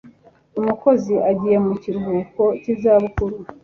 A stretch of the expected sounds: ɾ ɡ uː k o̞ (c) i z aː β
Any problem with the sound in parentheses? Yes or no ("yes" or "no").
no